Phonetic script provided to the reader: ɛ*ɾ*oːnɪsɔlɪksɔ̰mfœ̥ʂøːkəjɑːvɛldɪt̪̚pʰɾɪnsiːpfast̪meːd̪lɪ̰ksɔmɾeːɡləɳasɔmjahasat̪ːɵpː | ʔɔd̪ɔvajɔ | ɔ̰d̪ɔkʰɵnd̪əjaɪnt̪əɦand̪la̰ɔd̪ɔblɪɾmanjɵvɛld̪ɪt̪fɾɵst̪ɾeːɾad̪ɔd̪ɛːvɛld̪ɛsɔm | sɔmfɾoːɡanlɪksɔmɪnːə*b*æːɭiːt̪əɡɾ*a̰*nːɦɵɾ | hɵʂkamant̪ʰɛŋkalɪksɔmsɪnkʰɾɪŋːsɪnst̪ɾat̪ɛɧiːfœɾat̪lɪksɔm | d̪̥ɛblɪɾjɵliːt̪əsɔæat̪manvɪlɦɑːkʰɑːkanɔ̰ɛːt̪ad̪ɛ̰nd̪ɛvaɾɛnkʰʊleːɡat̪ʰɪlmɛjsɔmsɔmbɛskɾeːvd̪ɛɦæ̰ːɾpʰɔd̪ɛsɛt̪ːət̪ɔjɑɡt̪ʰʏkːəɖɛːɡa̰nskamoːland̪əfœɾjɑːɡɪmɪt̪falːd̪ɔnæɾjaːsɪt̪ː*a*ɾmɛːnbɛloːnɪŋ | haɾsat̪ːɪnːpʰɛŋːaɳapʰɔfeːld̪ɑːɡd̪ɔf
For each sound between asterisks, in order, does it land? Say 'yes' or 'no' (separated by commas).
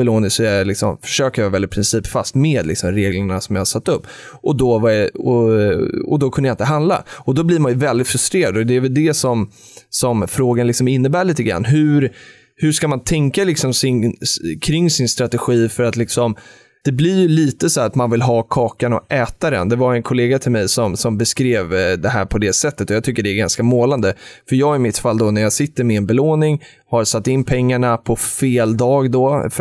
no, yes, yes, no